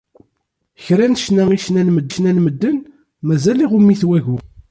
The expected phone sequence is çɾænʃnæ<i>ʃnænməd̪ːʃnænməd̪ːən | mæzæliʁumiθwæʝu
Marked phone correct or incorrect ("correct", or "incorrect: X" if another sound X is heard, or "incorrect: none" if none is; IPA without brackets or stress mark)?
correct